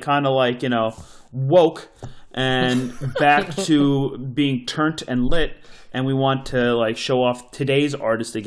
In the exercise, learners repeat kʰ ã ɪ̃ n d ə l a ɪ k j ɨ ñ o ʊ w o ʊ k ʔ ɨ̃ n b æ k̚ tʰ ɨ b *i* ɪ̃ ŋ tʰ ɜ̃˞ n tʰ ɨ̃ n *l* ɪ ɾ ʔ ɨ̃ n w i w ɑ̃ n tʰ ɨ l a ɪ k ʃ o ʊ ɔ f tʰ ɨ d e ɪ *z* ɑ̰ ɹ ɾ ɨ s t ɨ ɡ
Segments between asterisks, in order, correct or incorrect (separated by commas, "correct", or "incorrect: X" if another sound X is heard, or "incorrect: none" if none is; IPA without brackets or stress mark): correct, correct, correct